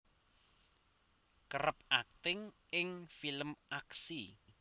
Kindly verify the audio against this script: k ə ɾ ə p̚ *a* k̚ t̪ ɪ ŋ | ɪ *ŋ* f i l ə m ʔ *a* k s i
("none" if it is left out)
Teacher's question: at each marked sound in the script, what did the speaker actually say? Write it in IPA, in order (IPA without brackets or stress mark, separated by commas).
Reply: a, ŋ, a